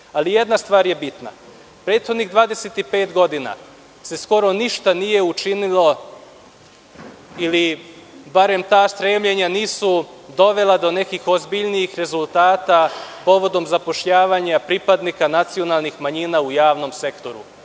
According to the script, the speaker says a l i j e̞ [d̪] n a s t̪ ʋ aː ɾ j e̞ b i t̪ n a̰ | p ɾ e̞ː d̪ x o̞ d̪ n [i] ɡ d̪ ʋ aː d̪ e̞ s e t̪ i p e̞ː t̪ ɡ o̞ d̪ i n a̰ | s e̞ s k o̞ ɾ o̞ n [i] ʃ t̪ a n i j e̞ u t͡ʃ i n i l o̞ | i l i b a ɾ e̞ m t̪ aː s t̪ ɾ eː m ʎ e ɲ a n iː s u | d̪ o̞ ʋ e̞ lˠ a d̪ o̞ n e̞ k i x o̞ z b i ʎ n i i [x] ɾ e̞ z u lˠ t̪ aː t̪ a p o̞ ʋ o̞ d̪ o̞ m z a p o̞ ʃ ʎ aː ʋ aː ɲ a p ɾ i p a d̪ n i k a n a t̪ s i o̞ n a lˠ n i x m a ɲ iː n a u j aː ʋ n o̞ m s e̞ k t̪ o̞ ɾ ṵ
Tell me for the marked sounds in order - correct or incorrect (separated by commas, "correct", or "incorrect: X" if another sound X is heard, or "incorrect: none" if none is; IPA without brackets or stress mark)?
correct, correct, correct, correct